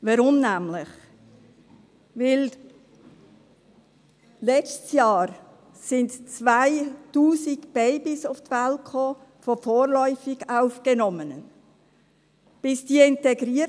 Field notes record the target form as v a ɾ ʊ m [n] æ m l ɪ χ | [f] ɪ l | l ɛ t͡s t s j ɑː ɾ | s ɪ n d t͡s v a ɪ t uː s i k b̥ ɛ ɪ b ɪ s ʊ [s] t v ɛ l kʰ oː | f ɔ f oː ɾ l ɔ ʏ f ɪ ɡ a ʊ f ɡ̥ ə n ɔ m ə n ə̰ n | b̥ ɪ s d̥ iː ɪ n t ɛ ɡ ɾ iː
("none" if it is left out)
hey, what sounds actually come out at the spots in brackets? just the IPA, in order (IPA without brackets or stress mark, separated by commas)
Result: n, v, f